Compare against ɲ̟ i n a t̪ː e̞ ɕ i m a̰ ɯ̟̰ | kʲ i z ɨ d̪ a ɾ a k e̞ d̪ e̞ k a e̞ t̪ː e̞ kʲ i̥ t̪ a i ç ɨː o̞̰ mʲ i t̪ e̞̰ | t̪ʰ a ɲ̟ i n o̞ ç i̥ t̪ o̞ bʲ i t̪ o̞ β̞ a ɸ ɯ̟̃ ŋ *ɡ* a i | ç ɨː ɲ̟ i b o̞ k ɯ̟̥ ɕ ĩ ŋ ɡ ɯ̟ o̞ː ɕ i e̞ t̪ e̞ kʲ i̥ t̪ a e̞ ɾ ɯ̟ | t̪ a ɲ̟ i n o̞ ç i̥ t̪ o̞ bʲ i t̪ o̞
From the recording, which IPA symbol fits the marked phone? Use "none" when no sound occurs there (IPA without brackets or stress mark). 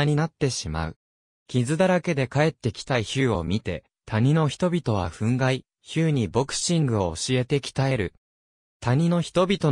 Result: ɡ